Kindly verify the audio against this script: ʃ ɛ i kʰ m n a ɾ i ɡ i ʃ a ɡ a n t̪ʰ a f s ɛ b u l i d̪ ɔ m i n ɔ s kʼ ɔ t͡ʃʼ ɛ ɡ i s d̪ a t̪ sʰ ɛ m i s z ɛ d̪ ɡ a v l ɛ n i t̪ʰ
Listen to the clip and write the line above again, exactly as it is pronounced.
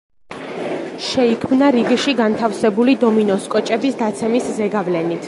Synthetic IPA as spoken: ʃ ɛ i kʰ m n a ɾ i ɡ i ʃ i ɡ a n t̪ʰ a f s ɛ b u l i d̪ ɔ m i n ɔ s kʼ ɔ t͡ʃʼ ɛ b i s d̪ a t̪ sʰ ɛ m i s z ɛ ɡ a v l ɛ n i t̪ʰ

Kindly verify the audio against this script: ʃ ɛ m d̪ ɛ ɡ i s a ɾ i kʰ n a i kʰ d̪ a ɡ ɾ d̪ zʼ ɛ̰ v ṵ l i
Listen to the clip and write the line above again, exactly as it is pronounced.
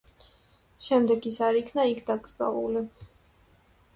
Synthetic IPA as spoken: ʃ ɛ m d̪ ɛ ɡ i s a ɾ i kʰ n a i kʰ d̪ a ɡ ɾ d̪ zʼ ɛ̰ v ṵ l i

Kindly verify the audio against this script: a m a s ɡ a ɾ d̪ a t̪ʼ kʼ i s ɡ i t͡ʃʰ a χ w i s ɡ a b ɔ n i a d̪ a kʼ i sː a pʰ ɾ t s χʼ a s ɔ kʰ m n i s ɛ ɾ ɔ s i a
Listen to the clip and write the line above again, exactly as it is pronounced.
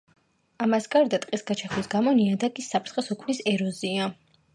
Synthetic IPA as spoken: a m a s ɡ a ɾ d̪ a t̪ʼ qʼ i s ɡ a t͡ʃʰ a χ w i s ɡ a m ɔ n i a d̪ a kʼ i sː a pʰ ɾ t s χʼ ɛ s ɔ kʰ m n i s ɛ ɾ ɔ z i a

